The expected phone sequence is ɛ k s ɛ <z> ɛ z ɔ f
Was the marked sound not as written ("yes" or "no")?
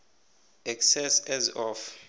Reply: yes